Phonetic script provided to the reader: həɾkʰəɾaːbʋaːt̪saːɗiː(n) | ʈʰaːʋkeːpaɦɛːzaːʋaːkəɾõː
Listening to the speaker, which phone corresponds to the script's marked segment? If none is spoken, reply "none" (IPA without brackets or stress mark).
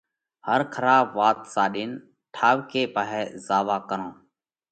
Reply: n